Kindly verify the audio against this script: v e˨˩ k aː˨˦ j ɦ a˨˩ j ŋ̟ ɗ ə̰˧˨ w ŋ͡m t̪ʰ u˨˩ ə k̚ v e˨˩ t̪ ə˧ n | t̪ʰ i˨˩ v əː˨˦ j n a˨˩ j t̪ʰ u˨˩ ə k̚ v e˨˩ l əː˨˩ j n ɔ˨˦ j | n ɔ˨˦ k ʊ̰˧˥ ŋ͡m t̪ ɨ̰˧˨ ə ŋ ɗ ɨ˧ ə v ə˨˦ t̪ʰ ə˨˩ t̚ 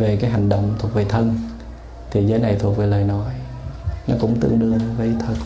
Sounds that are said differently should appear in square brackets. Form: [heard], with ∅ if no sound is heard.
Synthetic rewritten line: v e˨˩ k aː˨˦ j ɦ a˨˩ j ŋ̟ ɗ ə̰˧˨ w ŋ͡m t̪ʰ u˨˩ ə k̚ v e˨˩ [t̪ʰ] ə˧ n | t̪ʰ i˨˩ [z] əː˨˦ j n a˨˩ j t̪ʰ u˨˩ ə k̚ v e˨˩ l əː˨˩ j n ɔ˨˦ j | n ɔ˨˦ k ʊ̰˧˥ ŋ͡m t̪ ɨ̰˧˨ ə ŋ ɗ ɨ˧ ə v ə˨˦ t̪ʰ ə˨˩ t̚